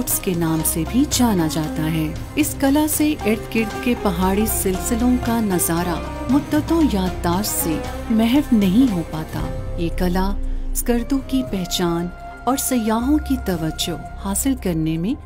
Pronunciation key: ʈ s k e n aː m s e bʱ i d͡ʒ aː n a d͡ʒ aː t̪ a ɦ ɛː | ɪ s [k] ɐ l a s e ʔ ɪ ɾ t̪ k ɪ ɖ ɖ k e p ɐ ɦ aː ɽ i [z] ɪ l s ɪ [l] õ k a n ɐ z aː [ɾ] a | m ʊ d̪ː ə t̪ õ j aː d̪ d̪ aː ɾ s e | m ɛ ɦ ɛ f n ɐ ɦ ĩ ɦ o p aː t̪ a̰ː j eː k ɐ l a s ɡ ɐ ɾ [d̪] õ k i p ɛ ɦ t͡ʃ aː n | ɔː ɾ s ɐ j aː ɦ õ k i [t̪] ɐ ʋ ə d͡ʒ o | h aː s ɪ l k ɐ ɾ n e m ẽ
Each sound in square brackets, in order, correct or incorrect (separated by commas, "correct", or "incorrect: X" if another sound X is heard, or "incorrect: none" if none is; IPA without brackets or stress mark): correct, incorrect: s, correct, correct, correct, correct